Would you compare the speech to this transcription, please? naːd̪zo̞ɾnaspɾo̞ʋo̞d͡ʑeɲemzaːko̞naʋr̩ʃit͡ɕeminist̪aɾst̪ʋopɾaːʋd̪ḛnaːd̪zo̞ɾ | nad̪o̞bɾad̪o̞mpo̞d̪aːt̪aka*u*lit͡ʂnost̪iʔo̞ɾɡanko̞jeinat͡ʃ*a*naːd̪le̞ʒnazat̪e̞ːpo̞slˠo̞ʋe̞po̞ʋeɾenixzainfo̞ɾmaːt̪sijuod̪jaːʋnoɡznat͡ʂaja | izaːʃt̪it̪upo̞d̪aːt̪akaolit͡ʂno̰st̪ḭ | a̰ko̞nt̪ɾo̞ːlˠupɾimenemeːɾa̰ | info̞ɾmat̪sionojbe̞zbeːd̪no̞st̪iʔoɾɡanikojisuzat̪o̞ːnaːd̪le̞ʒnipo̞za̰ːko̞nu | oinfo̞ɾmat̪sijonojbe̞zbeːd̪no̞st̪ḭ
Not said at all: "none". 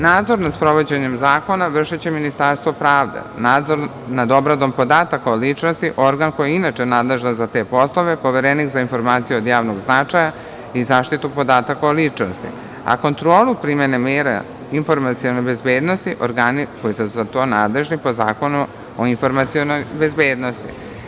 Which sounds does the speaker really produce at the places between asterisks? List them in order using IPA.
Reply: o, e

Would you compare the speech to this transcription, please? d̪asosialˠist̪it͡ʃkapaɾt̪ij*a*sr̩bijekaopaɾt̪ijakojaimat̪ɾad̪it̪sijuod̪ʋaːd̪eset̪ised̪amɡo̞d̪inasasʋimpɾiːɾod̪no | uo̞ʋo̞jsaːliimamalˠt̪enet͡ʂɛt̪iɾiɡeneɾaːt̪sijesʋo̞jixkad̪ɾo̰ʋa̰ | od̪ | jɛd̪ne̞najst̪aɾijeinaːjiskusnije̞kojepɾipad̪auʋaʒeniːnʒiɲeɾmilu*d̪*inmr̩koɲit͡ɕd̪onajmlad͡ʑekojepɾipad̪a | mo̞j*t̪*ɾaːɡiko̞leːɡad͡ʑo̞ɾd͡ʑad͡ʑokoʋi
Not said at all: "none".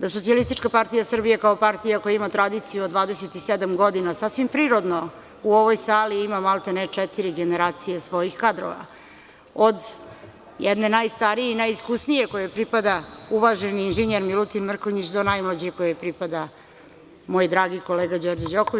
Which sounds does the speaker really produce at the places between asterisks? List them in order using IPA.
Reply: a, t̪, d̪

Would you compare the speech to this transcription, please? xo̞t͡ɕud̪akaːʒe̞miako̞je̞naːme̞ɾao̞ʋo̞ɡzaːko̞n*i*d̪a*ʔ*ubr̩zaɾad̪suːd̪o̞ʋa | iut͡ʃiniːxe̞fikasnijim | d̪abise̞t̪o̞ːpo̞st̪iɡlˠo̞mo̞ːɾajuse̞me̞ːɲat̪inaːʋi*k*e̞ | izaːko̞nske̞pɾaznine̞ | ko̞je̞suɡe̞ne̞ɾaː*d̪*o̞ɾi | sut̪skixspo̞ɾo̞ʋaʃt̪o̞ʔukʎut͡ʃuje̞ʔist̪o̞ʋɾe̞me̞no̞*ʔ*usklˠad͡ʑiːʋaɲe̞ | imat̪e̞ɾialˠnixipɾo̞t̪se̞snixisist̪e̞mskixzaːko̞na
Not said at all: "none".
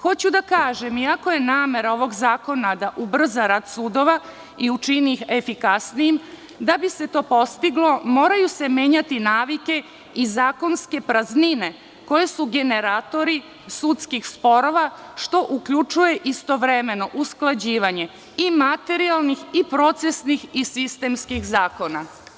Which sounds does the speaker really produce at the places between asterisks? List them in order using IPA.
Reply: a, ʔ, k, t̪, ʔ

